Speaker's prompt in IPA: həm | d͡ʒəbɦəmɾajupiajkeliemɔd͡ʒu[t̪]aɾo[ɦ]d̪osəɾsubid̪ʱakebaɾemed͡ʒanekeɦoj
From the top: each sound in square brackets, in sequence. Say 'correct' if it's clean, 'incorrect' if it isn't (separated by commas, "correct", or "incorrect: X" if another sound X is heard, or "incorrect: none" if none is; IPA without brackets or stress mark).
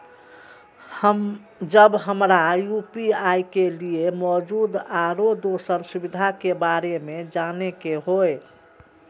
incorrect: d̪, incorrect: none